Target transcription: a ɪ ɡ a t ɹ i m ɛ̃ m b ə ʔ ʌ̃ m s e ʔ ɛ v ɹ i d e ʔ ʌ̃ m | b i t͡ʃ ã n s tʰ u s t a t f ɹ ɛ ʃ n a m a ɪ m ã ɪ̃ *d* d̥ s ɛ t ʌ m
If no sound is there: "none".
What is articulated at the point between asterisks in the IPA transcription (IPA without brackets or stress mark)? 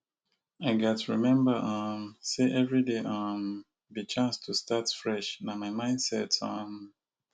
n